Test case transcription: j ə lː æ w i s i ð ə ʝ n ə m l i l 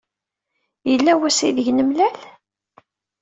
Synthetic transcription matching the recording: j ə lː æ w æ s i ð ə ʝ n ə m l æ l